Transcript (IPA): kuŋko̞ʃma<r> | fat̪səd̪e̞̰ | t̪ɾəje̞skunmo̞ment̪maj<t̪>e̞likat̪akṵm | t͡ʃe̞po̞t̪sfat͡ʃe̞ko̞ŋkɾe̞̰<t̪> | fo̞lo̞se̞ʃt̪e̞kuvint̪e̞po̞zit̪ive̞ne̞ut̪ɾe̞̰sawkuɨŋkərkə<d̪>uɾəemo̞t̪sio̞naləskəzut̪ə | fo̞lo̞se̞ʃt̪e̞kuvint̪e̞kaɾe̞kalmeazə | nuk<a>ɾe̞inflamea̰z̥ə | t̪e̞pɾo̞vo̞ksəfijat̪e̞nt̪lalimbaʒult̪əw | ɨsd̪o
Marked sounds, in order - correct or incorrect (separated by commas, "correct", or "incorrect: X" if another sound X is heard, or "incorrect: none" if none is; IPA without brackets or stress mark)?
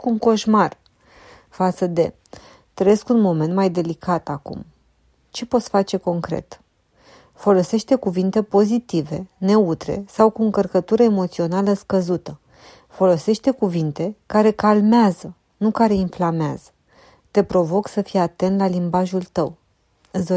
correct, incorrect: d̪, correct, incorrect: t̪, correct